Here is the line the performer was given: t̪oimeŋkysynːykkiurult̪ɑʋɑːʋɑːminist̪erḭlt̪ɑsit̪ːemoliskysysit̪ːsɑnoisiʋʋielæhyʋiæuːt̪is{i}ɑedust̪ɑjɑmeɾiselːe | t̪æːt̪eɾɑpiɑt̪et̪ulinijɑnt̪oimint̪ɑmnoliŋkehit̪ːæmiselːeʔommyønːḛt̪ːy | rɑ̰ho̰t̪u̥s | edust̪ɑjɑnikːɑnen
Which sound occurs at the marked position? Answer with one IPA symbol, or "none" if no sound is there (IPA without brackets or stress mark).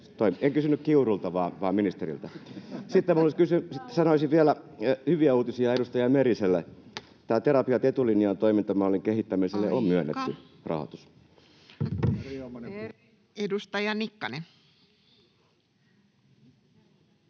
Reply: i